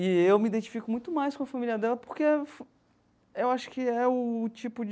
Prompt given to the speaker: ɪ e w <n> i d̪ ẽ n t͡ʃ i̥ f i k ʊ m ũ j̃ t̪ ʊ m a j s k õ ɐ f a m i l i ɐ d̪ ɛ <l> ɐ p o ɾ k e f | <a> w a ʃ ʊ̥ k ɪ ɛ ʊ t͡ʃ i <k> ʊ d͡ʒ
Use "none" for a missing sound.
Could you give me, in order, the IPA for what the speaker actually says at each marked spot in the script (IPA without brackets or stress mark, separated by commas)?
m, l, e, p